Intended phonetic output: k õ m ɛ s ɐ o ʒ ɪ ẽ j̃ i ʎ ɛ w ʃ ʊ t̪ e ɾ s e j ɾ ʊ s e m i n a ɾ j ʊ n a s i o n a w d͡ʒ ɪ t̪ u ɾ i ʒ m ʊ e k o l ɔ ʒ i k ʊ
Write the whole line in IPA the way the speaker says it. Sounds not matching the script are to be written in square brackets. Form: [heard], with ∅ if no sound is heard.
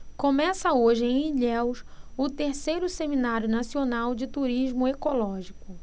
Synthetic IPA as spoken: k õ m ɛ s ɐ o ʒ ɪ ẽ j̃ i ʎ ɛ w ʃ ʊ t̪ e ɾ s e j ɾ ʊ s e m i n a ɾ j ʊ n a s i o n a w d͡ʒ ɪ t̪ u ɾ i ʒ m ʊ e k o l ɔ ʒ i k ʊ